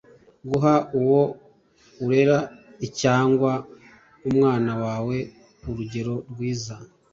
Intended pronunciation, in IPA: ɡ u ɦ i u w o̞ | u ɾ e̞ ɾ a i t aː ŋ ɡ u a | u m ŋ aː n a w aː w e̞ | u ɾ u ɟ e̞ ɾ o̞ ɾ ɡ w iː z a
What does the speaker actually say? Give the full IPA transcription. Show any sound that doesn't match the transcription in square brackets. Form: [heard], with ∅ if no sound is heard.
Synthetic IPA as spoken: ɡ u ɦ [a] u w o̞ | u ɾ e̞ ɾ a i [c] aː ŋ ɡ [w] a | u m ŋ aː n a w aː w e̞ | u ɾ u ɟ e̞ ɾ o̞ ɾ ɡ w iː z a